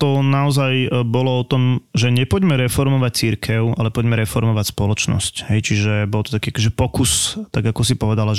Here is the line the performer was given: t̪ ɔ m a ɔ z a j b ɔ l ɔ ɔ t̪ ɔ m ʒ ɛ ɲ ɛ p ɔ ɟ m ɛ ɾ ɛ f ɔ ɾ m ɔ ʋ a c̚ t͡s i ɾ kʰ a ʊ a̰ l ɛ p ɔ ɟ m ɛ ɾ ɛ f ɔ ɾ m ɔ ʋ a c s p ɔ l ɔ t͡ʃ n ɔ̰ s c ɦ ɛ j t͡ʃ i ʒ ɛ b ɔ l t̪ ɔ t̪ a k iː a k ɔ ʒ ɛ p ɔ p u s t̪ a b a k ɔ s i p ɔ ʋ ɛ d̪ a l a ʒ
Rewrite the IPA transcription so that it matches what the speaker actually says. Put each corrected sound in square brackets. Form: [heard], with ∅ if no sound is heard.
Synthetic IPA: t̪ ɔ [n] a ɔ z a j b ɔ l ɔ ɔ t̪ ɔ m ʒ ɛ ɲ ɛ p ɔ ɟ m ɛ ɾ ɛ f ɔ ɾ m ɔ ʋ a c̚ t͡s i ɾ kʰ [ɛ] ʊ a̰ l ɛ p ɔ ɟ m ɛ ɾ ɛ f ɔ ɾ m ɔ ʋ a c s p ɔ l ɔ t͡ʃ n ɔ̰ s c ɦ ɛ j t͡ʃ i ʒ ɛ b ɔ l t̪ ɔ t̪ a k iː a k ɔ ʒ ɛ p ɔ [k] u s t̪ a [ɡ] a k ɔ s i p ɔ ʋ ɛ d̪ a l a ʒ